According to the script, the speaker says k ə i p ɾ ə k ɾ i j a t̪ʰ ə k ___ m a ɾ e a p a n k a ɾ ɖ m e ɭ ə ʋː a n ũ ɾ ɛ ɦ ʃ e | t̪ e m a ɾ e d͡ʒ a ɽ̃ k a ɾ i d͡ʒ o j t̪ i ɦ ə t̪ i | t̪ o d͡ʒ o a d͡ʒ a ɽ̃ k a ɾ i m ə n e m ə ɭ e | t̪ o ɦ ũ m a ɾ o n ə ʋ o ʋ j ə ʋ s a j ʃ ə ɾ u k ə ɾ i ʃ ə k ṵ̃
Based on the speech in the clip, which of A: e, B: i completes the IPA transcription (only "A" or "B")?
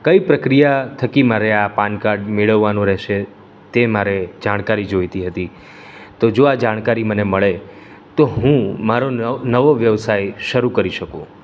B